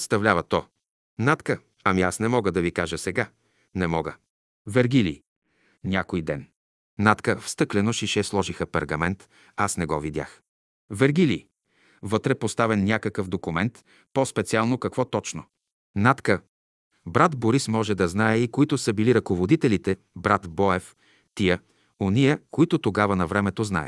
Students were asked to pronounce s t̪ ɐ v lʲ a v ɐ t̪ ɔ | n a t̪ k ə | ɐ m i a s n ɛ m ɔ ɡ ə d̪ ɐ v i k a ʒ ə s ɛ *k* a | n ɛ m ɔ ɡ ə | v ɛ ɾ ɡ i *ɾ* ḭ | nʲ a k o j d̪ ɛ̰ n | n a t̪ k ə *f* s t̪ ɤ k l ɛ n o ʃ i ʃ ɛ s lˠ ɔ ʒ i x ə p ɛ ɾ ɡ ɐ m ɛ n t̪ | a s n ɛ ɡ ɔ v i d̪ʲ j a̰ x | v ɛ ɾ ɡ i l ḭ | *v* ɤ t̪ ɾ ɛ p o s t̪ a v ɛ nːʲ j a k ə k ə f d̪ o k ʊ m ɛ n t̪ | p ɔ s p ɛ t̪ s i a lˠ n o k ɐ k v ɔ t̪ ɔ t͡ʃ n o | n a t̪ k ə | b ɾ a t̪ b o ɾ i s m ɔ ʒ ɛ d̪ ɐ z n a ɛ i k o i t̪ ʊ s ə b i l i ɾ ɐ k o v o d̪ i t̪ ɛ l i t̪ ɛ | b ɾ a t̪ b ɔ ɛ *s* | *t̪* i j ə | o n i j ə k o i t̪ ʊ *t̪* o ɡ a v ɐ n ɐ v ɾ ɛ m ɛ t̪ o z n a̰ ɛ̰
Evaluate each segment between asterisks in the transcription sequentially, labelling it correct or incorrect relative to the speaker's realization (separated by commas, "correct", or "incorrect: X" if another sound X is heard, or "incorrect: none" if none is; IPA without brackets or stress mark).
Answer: incorrect: ɡ, incorrect: l, correct, correct, incorrect: f, correct, correct